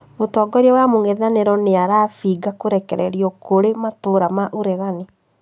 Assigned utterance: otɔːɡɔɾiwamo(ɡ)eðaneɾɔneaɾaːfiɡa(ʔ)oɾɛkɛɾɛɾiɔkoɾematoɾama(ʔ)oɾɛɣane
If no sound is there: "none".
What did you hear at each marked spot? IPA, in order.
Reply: ŋ, k, ʔ

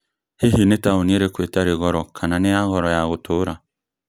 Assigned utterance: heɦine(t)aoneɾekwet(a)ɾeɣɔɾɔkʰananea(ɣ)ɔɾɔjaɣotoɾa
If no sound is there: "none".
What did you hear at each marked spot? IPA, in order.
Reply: t, a, ɣ

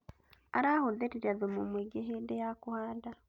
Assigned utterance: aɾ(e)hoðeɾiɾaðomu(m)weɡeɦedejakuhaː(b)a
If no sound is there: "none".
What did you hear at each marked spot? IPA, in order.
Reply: a, m, d

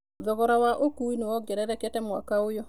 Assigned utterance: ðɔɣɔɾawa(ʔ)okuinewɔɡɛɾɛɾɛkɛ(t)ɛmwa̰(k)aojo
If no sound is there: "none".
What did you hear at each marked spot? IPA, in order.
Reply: ʔ, t, k

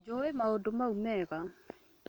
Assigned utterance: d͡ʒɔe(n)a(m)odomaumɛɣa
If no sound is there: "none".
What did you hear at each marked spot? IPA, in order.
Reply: m, none

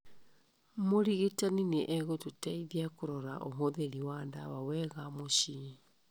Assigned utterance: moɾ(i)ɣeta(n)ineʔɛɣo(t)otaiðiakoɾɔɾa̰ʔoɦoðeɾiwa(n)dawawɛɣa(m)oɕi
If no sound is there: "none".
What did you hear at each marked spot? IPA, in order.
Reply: i, n, t, n, m

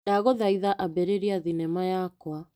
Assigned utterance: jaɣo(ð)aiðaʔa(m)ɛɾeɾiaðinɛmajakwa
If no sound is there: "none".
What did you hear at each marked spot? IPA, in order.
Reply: ð, b

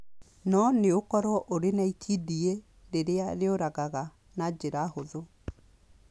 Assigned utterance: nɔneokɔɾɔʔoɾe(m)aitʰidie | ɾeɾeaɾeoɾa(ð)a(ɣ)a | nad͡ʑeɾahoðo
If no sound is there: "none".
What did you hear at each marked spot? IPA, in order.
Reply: n, ɣ, ɣ

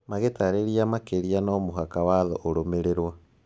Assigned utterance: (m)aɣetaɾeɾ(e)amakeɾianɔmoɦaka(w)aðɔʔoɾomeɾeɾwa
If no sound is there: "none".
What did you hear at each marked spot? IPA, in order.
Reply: m, i, w

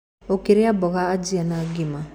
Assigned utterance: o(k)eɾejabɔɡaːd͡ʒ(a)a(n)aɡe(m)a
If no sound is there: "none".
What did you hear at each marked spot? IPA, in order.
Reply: k, i, n, m

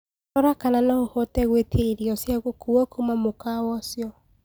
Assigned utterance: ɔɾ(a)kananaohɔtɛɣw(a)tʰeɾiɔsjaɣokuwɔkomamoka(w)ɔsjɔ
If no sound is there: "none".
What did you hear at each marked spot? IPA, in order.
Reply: a, e, w

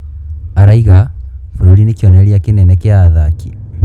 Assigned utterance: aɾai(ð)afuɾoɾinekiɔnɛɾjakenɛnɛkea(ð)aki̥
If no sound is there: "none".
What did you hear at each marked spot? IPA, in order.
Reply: ɣ, ð

